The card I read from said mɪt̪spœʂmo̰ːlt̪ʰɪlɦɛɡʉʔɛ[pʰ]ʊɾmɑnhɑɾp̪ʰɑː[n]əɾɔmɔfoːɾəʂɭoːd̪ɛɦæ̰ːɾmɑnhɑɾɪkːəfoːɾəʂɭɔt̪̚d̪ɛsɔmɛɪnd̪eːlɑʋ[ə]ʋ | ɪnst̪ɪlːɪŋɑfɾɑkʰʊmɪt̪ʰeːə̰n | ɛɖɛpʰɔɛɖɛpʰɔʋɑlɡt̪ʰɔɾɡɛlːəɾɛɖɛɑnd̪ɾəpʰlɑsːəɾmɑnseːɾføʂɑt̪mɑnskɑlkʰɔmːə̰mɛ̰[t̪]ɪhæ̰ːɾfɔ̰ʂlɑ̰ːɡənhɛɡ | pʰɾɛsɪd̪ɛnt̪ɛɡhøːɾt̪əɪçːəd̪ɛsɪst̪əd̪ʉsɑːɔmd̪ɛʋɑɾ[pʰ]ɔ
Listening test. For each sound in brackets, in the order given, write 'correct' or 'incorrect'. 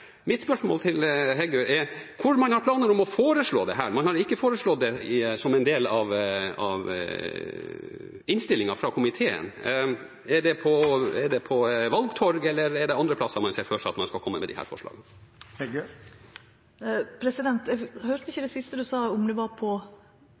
incorrect: kʰ, correct, incorrect: ɑ, incorrect: d̪, correct

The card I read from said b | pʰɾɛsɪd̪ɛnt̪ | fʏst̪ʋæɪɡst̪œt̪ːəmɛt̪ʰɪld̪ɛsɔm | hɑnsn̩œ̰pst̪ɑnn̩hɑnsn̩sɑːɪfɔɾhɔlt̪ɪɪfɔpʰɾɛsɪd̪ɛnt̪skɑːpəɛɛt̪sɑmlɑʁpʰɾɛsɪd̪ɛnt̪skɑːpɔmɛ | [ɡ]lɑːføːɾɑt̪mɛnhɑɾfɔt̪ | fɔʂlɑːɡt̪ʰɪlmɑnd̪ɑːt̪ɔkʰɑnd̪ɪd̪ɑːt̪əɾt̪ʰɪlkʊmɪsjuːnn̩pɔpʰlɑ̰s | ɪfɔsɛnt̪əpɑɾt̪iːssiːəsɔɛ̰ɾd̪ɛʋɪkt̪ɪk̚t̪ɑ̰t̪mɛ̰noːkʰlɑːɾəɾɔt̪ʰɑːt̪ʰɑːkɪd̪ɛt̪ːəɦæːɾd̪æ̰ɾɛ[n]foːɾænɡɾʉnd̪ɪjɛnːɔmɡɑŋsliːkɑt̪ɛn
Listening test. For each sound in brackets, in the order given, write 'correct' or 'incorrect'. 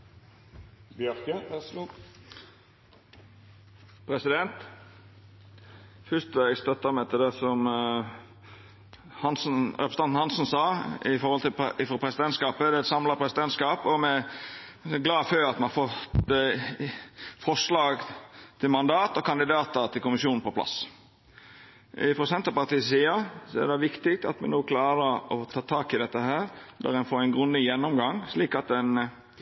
correct, correct

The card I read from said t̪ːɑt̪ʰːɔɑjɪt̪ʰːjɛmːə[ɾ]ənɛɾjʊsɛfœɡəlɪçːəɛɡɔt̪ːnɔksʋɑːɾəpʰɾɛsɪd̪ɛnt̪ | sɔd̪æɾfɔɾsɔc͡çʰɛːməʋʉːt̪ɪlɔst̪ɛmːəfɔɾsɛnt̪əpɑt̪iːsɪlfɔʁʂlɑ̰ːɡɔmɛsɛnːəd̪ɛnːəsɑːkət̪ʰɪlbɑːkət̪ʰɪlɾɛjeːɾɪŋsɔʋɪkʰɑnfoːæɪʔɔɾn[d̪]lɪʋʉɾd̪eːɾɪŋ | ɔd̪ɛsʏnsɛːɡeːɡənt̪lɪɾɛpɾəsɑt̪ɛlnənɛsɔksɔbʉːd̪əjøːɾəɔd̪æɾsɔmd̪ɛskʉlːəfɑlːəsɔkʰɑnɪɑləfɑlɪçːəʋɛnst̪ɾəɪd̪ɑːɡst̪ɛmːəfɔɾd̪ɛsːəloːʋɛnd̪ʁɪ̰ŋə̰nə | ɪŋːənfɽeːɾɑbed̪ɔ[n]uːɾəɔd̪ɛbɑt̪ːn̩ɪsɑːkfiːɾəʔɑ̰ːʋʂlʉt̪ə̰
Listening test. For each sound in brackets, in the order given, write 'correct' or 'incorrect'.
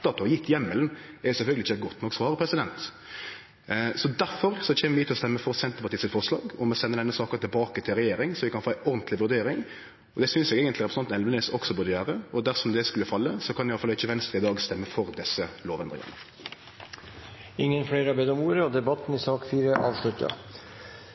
incorrect: l, incorrect: t̪, incorrect: m

